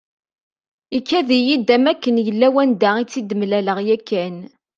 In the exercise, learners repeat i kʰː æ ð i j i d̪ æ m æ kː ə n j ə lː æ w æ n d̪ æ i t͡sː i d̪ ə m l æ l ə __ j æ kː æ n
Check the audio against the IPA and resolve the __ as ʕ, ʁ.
ʁ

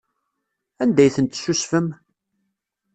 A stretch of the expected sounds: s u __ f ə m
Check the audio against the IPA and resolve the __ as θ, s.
s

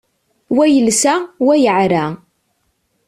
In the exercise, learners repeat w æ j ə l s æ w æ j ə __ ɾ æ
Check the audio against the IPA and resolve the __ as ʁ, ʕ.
ʕ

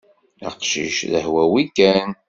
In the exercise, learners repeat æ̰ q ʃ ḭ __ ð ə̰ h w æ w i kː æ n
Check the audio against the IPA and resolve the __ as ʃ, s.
ʃ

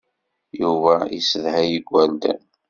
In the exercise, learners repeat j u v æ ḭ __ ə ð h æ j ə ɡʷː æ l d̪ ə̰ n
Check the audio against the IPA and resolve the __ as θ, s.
s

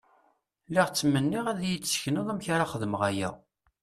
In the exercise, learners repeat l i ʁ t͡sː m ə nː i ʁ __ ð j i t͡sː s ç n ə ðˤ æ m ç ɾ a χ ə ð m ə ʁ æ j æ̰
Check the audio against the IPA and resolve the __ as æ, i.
æ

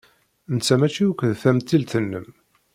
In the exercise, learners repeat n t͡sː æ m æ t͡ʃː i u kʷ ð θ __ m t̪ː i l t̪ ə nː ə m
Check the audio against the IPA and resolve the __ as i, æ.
æ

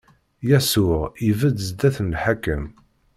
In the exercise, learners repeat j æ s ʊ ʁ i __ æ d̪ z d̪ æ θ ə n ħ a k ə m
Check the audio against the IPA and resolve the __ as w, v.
v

